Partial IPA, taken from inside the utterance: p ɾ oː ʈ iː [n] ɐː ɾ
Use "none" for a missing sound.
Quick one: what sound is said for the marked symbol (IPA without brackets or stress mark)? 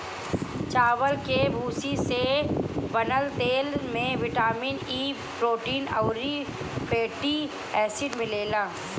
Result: n